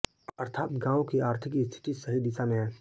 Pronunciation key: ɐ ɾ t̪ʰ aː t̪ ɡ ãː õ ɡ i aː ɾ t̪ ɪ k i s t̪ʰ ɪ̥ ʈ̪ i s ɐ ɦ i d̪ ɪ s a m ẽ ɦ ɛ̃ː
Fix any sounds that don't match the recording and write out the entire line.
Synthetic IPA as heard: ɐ ɾ t̪ʰ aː t̪ ɡ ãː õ k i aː ɾ t̪ʰ ɪ k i s t̪ʰ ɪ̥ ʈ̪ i s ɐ ɦ i d̪ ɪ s a m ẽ ɦ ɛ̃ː